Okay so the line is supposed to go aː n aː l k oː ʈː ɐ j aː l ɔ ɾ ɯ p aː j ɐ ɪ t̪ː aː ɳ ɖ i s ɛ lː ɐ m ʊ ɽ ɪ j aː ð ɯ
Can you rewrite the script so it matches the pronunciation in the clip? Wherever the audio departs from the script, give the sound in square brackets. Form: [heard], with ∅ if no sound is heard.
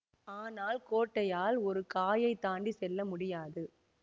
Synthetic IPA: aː n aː l k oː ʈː ɐ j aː l ɔ ɾ ɯ [k] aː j ɐ ɪ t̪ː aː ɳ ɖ i s ɛ lː ɐ m ʊ ɽ ɪ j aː ð ɯ